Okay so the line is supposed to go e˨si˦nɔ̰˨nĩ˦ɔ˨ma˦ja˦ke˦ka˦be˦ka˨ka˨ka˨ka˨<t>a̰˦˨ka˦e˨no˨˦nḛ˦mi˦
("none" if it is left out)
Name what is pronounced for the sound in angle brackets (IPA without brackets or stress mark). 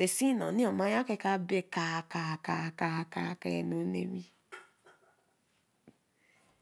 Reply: k